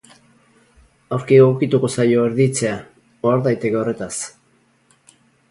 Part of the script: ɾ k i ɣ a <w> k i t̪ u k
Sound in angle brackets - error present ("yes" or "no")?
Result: no